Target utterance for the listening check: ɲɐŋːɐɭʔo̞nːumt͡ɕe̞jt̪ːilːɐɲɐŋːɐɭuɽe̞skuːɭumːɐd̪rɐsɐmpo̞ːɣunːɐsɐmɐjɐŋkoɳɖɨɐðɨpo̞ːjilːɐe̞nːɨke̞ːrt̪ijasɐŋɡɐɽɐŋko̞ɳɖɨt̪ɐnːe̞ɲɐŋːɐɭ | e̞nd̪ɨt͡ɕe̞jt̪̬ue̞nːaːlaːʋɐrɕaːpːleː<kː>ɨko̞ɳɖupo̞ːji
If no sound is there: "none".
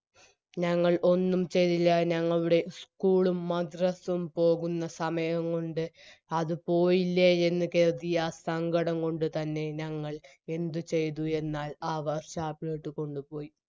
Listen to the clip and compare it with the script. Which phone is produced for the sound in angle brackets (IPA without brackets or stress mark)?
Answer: ʈː